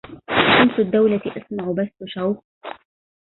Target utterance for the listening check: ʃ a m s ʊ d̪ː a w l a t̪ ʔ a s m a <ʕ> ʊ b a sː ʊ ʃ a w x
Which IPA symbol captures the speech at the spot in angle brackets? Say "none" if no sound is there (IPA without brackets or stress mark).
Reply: ʕ